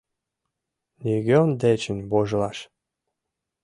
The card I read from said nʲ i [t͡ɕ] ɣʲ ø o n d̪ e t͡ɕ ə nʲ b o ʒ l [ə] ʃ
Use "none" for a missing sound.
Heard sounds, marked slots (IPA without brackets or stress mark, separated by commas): none, ɑ